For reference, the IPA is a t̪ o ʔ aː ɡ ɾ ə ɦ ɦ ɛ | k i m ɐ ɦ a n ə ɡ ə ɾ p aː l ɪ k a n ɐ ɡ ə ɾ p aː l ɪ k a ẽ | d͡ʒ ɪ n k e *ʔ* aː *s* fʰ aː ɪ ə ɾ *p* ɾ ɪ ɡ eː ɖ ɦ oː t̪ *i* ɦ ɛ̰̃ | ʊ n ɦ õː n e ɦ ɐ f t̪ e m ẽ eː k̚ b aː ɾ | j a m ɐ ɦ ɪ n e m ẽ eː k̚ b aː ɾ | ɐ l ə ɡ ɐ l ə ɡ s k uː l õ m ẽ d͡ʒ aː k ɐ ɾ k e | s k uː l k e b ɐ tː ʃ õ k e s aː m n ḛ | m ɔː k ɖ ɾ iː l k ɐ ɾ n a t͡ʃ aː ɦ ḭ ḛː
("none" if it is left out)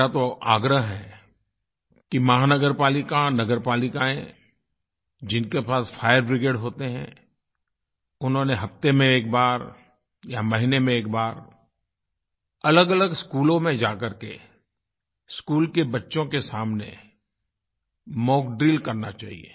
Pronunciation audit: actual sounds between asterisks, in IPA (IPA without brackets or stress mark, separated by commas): p, s, b, e